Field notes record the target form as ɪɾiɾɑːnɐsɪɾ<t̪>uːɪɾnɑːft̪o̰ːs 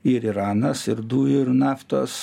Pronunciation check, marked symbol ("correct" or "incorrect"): incorrect